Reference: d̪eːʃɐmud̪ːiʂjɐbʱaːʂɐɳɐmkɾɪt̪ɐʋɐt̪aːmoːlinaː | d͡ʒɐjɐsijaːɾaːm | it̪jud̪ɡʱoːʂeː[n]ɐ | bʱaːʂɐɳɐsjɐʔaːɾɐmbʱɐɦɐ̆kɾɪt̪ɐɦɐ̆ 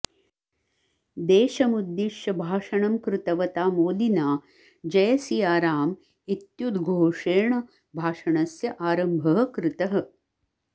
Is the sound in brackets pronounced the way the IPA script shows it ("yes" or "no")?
no